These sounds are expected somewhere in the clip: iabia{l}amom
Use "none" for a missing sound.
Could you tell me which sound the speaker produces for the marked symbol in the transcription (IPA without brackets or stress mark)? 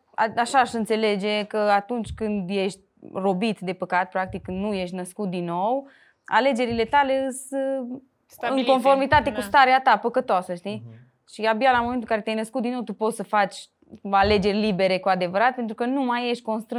l